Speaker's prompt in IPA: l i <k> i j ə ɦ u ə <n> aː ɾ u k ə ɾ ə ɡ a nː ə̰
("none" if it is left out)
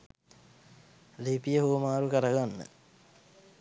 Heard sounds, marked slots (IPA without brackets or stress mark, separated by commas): p, m